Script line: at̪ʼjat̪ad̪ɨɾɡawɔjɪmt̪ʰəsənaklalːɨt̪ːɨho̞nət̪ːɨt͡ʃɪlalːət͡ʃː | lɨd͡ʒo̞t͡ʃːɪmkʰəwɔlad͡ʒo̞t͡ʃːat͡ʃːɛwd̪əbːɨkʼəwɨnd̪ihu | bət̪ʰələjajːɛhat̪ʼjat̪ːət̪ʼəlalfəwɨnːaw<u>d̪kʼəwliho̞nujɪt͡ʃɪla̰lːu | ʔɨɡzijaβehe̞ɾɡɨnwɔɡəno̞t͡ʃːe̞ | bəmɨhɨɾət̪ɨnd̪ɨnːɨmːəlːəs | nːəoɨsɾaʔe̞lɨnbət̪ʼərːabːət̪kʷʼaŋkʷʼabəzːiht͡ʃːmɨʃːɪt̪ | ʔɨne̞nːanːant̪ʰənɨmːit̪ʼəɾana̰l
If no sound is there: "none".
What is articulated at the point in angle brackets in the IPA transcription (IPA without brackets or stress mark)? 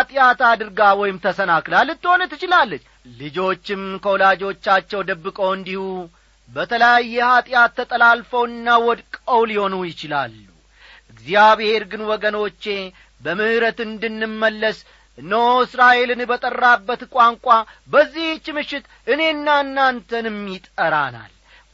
ɔ